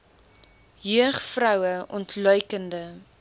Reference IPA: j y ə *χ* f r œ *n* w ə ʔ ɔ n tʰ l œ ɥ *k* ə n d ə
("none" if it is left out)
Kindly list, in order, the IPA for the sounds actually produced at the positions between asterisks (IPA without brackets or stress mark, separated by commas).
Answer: χ, none, k